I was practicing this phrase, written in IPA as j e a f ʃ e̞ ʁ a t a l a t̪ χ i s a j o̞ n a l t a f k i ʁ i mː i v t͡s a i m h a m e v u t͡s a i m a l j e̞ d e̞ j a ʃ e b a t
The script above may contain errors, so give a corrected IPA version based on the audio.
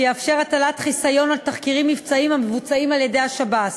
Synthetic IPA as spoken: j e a f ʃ e̞ ʁ a t a l a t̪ χ i s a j o̞ n a l t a χ k i ʁ i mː i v t͡s a i m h a m e v u t͡s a i m a l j e̞ d e̞ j a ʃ a b a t